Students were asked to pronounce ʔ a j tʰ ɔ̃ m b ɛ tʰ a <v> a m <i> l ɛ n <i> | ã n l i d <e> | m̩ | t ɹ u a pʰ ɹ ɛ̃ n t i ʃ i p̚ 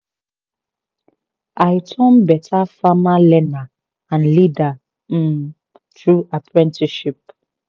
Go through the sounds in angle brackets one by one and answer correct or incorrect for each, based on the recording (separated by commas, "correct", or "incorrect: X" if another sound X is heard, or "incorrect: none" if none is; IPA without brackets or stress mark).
incorrect: f, incorrect: a, incorrect: a, incorrect: a